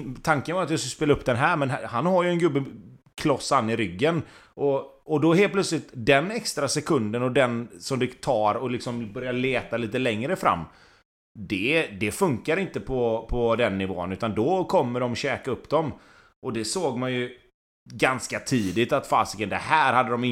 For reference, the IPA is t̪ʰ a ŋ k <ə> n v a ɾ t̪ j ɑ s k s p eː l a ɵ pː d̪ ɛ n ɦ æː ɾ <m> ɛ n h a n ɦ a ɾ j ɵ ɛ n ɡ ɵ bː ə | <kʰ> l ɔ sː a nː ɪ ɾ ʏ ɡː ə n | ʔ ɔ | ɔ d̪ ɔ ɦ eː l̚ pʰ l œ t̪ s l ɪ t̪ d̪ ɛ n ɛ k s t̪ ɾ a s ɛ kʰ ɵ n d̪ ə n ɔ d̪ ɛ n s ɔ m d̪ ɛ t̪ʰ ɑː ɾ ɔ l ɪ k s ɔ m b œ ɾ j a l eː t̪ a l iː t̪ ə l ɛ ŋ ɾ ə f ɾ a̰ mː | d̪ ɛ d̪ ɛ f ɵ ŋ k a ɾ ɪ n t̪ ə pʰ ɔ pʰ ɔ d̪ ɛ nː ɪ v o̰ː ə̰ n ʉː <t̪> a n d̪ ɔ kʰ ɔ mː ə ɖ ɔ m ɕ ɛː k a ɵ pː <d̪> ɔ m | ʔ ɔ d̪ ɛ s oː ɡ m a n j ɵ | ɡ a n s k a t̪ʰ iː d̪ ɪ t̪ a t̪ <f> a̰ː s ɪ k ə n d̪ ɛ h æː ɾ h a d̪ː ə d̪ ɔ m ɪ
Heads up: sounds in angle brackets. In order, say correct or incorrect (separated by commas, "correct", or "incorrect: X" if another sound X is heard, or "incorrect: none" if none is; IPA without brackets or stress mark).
correct, correct, correct, correct, correct, correct